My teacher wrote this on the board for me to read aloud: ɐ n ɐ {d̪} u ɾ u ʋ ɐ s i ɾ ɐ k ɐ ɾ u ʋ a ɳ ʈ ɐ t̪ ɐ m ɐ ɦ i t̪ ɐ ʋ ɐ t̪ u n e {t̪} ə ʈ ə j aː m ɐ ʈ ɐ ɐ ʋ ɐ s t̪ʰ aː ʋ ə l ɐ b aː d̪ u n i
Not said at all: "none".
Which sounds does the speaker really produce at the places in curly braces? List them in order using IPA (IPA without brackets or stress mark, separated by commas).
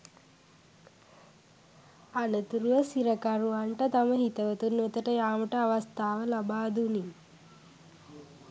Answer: t̪, t̪